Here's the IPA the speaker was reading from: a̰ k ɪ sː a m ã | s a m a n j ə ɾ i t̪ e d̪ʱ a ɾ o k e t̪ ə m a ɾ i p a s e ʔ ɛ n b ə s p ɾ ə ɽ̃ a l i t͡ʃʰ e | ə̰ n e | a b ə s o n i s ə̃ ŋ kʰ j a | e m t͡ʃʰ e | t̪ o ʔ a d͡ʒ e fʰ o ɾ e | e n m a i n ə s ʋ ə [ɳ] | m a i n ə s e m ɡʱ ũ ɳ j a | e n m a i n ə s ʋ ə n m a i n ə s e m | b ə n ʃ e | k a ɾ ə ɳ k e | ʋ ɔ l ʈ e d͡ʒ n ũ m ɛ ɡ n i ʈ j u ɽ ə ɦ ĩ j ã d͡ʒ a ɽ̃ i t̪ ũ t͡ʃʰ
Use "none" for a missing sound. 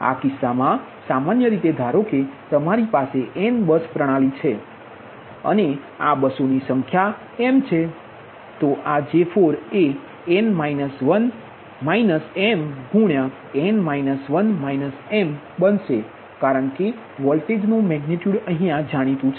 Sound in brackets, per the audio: n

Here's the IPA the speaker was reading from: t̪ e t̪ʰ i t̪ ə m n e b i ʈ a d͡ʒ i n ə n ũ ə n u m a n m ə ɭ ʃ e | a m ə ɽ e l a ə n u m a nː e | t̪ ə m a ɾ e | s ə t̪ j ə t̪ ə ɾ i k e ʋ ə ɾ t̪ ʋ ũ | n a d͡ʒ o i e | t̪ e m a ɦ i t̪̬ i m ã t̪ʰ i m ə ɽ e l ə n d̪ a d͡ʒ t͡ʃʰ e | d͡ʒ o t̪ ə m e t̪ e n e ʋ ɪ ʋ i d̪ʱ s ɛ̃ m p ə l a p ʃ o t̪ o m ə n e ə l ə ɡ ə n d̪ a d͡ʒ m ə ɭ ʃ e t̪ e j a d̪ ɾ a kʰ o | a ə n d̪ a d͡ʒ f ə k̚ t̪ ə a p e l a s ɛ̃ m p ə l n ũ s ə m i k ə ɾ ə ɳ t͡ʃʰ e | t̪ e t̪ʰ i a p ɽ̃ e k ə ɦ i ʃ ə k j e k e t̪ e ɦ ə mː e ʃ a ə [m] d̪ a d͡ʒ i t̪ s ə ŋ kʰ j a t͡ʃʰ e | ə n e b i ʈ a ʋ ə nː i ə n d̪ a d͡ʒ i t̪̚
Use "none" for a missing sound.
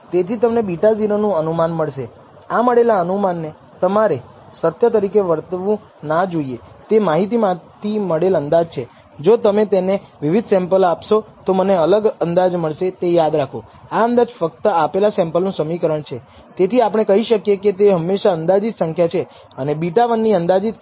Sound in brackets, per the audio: n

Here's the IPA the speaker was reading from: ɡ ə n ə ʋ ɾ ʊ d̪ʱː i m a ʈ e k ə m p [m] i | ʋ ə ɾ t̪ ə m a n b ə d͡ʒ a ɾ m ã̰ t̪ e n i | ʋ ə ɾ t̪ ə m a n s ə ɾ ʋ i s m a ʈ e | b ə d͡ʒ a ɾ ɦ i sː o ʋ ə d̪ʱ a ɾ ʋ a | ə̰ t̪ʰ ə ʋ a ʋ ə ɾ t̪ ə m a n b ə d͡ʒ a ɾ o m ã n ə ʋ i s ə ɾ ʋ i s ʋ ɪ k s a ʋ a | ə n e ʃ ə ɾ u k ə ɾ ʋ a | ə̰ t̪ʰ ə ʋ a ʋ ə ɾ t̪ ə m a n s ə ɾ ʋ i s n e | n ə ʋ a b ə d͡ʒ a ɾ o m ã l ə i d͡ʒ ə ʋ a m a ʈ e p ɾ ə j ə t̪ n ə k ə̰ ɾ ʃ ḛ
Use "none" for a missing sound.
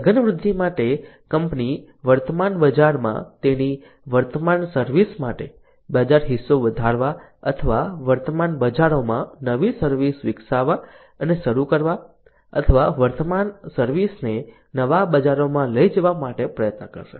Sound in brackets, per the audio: n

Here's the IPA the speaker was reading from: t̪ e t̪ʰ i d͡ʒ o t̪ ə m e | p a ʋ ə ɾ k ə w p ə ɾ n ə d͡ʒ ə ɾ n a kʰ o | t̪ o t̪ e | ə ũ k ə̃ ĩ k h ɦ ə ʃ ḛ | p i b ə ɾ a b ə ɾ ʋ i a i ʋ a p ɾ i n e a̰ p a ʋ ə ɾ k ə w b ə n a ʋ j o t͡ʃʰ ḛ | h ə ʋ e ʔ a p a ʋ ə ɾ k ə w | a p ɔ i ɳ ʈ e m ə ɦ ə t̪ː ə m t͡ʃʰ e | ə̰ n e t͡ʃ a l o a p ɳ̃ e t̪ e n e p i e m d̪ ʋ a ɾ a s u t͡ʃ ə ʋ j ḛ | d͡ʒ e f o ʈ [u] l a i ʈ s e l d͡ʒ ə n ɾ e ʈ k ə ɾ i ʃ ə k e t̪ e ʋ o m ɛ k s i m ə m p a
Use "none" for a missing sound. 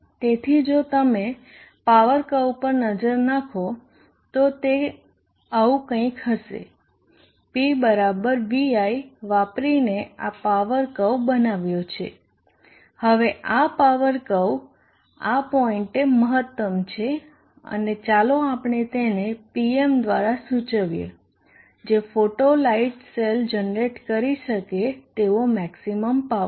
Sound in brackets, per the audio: o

